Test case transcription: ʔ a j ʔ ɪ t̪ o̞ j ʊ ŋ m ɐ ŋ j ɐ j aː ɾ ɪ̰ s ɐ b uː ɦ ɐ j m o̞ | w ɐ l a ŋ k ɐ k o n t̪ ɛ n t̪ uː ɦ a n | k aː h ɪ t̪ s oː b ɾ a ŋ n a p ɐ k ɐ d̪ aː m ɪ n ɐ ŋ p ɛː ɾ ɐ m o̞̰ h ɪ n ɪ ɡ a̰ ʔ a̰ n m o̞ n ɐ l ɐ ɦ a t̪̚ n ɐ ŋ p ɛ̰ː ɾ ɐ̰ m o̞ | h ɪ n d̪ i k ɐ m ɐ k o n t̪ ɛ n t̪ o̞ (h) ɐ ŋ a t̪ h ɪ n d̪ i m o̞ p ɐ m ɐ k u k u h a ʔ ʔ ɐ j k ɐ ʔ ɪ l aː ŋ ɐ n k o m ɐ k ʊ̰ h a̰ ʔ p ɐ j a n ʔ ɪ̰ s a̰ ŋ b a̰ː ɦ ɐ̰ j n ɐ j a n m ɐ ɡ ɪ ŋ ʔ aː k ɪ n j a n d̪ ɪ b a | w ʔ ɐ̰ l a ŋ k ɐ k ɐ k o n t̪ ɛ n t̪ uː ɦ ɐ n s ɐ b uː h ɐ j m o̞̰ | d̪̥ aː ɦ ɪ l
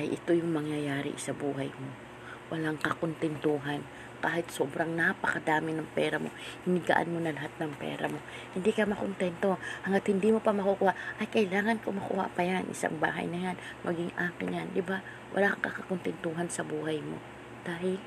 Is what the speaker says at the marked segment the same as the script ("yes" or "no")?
yes